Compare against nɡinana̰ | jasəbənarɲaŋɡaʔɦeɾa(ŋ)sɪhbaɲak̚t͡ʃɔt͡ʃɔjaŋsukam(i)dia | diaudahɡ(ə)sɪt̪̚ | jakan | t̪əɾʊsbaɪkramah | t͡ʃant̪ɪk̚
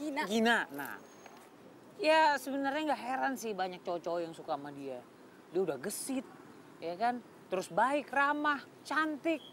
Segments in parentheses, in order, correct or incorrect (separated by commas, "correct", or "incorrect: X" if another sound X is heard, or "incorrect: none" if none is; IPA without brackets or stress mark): incorrect: n, incorrect: a, correct